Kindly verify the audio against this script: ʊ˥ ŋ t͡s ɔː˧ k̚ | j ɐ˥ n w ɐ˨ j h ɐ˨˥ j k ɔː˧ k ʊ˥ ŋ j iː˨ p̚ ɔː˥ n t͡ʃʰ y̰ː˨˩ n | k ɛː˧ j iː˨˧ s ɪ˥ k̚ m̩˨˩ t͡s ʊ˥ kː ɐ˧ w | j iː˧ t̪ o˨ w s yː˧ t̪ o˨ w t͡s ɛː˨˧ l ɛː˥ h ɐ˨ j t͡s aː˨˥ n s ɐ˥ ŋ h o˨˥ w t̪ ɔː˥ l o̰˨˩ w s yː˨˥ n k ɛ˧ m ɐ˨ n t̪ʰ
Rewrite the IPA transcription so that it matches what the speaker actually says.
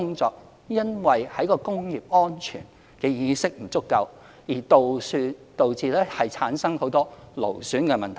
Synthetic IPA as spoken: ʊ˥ ŋ t͡s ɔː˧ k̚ | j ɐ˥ n w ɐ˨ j h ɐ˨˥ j k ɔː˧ k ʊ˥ ŋ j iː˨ p̚ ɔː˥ n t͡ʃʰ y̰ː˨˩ n | k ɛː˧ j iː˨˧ s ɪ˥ k̚ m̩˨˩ t͡s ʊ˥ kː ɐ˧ w | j iː˨˩ t̪ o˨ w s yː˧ t̪ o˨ w t͡s iː˨˧ l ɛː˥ h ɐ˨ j t͡sʰ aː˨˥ n s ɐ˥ ŋ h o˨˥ w t̪ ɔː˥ l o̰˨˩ w s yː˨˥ n k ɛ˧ m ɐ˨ n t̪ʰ

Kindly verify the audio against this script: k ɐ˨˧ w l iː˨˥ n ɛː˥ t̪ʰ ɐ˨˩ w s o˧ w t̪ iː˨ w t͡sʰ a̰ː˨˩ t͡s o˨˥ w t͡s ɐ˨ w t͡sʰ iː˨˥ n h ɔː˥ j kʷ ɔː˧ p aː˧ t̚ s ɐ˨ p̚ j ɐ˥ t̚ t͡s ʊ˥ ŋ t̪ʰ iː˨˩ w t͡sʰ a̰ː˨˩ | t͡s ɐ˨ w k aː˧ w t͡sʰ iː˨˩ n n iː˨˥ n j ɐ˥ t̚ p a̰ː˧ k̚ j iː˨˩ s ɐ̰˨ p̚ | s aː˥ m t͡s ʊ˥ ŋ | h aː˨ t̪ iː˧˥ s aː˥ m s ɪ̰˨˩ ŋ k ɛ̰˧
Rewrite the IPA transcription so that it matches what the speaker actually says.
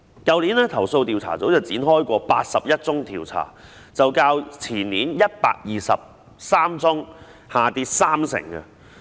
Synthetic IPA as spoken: k ɐ˨˧ w l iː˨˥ n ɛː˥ t̪ʰ ɐ˨˩ w s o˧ w t̪ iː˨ w t͡sʰ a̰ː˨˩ t͡s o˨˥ w t͡s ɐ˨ w t͡s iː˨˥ n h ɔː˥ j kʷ ɔː˧ p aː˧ t̚ s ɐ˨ p̚ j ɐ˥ t̚ t͡s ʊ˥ ŋ t̪ʰ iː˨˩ w t͡sʰ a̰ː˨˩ | t͡s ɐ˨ w k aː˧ w t͡sʰ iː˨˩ n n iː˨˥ n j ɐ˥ t̚ p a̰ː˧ k̚ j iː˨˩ s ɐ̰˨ p̚ | s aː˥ m t͡s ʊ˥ ŋ | h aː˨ t̪ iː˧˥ s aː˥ m s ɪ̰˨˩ ŋ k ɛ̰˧

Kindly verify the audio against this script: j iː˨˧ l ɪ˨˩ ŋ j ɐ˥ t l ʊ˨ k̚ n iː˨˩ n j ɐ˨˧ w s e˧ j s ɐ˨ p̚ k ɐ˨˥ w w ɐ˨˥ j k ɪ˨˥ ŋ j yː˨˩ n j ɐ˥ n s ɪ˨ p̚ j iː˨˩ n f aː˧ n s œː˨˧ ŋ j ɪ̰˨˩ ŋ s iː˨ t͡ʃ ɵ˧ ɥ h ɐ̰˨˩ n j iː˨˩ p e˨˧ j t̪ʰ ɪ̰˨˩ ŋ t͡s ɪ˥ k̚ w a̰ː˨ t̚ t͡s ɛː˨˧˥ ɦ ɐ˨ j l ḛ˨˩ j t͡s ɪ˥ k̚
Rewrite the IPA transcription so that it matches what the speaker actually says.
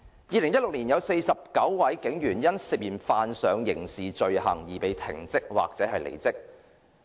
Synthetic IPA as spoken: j iː˨˧ l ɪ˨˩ ŋ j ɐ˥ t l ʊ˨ k̚ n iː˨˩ n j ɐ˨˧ w s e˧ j s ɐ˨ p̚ k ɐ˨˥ w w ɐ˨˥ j k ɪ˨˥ ŋ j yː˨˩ n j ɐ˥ n s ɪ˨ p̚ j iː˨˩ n f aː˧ n s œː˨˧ ŋ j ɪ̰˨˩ ŋ s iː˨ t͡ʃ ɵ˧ ɥ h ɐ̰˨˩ ŋ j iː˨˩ p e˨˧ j t̪ʰ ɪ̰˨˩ ŋ t͡s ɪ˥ k̚ w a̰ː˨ k̚ t͡s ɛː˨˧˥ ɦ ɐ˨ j l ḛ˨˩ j t͡s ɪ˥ k̚

